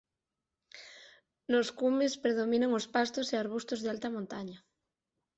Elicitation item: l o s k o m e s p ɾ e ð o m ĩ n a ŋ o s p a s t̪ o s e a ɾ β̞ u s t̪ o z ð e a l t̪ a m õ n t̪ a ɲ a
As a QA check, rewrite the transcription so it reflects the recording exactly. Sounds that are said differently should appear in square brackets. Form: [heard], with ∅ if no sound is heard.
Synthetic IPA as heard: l o s k [u] m e s p ɾ e ð o m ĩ n a ŋ o s p a s t̪ o s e a ɾ β̞ u s t̪ o z ð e a l t̪ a m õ n t̪ a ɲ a